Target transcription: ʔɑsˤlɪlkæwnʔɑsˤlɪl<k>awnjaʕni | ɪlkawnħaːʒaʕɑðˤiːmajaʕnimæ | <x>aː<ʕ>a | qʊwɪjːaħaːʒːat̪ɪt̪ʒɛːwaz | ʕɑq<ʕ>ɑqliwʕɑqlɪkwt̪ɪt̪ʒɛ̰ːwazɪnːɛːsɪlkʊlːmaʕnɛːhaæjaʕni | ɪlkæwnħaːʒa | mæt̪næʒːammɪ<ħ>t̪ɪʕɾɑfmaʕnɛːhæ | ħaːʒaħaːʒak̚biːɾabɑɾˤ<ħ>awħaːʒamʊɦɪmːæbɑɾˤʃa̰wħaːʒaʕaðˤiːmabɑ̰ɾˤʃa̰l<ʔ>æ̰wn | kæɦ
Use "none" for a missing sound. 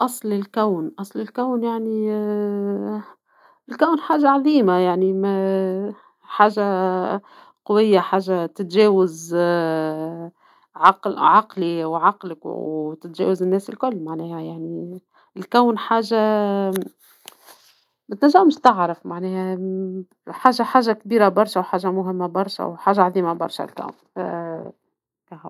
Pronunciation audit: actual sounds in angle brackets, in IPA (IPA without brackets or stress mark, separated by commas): k, ħ, ʒ, ʕ, ʃ, ʃ, k